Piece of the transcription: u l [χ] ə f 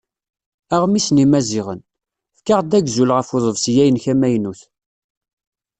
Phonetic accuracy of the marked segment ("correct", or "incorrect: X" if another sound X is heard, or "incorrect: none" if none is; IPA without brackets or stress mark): incorrect: ʁ